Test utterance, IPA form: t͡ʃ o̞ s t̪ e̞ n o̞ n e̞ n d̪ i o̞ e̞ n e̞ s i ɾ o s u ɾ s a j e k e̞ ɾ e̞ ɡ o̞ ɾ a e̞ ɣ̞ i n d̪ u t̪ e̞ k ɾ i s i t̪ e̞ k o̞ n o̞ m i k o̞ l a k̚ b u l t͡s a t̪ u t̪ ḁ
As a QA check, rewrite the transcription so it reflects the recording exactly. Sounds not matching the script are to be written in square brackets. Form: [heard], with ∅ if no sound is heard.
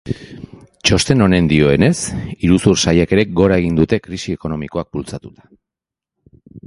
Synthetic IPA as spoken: t͡ʃ o̞ s t̪ e̞ n o̞ n e̞ n d̪ i o̞ e̞ n e̞ s i ɾ [u] s u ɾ s a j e k e̞ ɾ e̞ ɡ o̞ ɾ a e̞ ɣ̞ i n d̪ u t̪ e̞ k ɾ i s i [∅] e̞ k o̞ n o̞ m i k o̞ [∅] a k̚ b u l t͡s a t̪ u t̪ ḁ